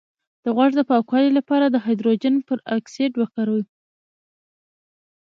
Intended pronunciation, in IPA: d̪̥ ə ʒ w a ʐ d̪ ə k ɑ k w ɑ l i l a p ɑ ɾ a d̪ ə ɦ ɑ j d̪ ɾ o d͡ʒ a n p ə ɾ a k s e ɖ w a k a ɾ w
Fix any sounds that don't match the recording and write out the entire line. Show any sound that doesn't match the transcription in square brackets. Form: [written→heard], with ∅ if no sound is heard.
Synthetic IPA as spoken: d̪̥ ə [ʒ→ɣ] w a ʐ d̪ ə [k→p] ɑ k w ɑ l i l a p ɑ ɾ a d̪ ə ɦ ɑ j d̪ ɾ o d͡ʒ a n p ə ɾ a k s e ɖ w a k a ɾ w

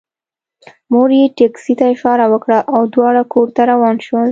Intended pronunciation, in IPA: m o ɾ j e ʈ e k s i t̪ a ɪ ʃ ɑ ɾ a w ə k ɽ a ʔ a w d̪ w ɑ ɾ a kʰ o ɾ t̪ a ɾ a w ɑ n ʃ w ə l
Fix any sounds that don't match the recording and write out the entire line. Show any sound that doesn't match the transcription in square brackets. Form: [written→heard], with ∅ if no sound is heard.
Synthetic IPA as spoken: m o ɾ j e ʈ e k s i t̪ a ɪ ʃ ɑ ɾ a w ə k ɽ a ʔ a w d̪ w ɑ [ɾ→ɽ] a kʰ o ɾ t̪ a ɾ a w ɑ n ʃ w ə l

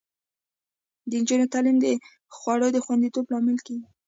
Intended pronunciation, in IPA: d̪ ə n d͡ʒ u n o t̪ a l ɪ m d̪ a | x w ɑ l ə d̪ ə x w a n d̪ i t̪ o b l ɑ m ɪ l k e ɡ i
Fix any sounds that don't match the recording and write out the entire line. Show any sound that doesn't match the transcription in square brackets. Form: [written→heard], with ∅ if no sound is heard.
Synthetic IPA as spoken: d̪ ə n d͡ʒ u n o t̪ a l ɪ m d̪ [a→ə] | x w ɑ [l→ɽ] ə d̪ ə x w a n d̪ i t̪ o b l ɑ m ɪ l k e ɡ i

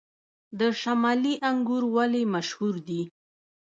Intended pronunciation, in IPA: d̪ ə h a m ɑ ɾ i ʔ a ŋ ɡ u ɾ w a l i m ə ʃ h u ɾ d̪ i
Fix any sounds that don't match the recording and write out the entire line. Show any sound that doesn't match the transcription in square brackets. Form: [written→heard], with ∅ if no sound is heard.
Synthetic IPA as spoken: d̪ ə [h→ʃ] a m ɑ [ɾ→l] i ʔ a ŋ ɡ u ɾ w a l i m [ə→a] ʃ h u ɾ d̪ i

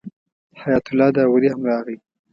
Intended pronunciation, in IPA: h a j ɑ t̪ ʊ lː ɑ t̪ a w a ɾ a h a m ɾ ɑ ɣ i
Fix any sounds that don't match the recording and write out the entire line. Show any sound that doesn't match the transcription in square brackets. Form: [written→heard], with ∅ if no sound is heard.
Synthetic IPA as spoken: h a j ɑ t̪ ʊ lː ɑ [t̪→d̪] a w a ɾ [a→i] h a m ɾ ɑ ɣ i

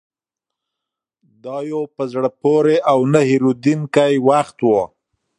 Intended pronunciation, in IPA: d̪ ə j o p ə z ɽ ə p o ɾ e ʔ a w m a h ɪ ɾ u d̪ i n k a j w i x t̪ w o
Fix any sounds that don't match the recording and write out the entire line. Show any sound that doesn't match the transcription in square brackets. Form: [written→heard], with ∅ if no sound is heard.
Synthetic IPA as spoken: d̪ [ə→ɑ] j o p ə z ɽ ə p o ɾ e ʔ a w [m→n] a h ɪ ɾ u d̪ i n k a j w [i→a] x t̪ w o

